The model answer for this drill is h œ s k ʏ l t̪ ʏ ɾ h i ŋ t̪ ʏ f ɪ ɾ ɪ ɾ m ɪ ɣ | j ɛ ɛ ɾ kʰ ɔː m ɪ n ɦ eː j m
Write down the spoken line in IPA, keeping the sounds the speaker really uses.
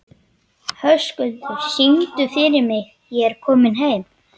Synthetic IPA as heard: h œ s k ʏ l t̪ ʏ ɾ s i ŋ t̪ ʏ f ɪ ɾ ɪ ɾ m ɪ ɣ | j ɛ ɛ ɾ kʰ ɔː m ɪ n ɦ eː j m